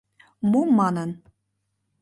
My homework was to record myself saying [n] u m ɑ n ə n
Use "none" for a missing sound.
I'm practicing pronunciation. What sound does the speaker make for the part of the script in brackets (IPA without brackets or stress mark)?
m